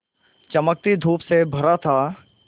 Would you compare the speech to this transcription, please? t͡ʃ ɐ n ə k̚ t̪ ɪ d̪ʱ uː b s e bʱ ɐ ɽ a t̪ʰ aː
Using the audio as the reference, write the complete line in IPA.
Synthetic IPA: t͡ʃ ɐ m ə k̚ t̪ i d̪ʱ uː p s e bʱ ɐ ɾ a t̪ʰ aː